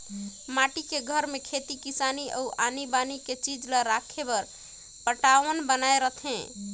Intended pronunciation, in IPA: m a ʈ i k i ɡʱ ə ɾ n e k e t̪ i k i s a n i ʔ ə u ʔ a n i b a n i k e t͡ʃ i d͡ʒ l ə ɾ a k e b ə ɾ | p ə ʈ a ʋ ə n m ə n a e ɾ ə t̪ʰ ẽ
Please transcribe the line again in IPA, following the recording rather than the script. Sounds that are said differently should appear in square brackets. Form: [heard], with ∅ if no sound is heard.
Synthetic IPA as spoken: m a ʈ i k [e] ɡʱ ə ɾ [m] e [kʰ] e t̪ i k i s a n i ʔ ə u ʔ a n i b a n i k e t͡ʃ i d͡ʒ l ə ɾ a [kʰ] e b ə ɾ | p ə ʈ a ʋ ə n [b] ə n a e ɾ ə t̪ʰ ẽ